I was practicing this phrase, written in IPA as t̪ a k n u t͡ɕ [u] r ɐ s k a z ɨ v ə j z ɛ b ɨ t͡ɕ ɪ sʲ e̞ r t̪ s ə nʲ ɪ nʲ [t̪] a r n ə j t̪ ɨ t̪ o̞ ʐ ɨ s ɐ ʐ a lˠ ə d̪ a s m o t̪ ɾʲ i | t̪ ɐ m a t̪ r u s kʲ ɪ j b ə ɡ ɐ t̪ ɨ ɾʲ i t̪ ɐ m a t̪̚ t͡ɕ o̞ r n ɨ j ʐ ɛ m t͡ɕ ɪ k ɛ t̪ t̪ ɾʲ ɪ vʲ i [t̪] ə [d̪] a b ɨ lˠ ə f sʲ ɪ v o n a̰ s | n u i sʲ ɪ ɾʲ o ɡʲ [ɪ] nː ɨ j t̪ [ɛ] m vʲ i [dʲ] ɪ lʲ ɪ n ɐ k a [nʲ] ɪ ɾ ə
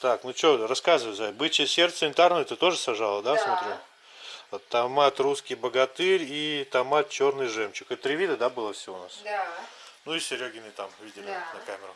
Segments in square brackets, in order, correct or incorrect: incorrect: o, correct, incorrect: d̪, correct, correct, incorrect: a, correct, incorrect: mʲ

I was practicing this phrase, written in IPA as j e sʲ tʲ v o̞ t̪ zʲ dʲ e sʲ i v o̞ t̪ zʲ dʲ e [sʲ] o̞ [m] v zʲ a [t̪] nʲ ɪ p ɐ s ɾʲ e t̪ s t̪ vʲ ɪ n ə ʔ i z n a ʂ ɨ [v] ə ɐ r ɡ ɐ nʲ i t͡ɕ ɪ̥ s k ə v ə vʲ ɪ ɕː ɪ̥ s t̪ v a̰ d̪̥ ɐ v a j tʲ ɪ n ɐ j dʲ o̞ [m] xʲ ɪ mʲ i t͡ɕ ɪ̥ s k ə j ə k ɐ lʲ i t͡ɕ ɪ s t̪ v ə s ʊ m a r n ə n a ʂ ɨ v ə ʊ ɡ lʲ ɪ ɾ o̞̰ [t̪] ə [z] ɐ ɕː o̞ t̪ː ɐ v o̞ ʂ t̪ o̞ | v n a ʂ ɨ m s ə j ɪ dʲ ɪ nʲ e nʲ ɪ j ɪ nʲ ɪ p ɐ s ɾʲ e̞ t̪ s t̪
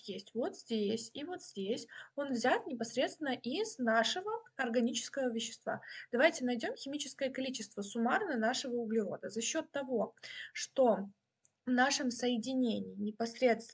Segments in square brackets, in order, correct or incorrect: correct, incorrect: n, correct, correct, correct, incorrect: d̪, correct

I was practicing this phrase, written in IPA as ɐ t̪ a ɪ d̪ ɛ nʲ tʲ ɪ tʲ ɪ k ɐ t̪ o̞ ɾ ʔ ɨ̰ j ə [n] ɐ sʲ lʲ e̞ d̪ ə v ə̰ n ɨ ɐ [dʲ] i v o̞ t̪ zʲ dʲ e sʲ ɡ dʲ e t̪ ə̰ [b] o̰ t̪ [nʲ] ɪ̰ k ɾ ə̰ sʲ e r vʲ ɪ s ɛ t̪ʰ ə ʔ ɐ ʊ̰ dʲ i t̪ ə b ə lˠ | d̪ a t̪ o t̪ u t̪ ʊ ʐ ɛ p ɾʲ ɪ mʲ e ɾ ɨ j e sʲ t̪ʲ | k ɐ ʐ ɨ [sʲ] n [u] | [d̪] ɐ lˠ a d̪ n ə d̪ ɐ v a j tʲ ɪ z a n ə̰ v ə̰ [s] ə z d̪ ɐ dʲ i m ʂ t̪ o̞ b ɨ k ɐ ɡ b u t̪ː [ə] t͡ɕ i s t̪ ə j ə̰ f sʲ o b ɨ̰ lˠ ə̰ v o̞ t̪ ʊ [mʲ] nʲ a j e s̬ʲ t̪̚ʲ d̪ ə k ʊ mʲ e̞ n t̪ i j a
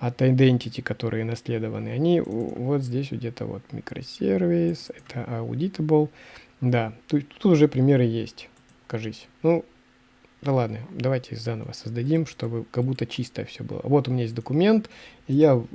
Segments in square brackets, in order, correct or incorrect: correct, incorrect: nʲ, incorrect: v, incorrect: mʲ, correct, correct, correct, correct, correct, correct

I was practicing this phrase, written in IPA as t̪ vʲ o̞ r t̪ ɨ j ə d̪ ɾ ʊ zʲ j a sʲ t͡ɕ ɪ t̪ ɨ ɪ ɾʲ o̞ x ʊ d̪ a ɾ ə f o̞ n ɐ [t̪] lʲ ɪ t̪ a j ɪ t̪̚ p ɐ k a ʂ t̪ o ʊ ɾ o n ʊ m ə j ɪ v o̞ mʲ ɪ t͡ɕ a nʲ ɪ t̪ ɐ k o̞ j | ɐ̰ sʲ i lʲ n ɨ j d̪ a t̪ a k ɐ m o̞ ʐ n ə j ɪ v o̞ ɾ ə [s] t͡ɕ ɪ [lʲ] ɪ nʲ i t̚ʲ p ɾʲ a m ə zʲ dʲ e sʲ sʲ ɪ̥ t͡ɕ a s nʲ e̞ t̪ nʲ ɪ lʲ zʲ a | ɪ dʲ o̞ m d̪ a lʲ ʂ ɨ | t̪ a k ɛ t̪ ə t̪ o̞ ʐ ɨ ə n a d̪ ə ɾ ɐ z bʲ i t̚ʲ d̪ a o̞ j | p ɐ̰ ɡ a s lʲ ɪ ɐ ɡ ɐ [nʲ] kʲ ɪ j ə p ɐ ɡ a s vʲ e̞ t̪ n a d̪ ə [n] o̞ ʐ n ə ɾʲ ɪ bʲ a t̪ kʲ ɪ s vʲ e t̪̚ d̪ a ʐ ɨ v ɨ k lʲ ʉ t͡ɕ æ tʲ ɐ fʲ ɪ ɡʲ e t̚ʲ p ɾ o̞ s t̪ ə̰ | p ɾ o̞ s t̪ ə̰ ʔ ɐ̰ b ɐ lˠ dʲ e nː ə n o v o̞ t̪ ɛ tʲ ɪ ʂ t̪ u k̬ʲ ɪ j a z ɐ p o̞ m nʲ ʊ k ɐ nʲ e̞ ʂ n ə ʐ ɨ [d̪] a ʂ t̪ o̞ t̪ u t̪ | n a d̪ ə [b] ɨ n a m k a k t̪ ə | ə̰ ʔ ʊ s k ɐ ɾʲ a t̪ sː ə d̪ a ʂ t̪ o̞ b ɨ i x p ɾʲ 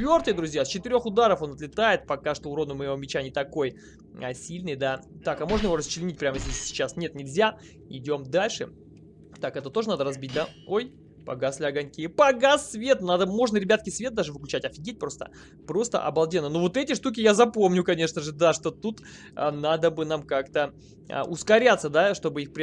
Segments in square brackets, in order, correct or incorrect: correct, correct, correct, correct, incorrect: m, correct, correct

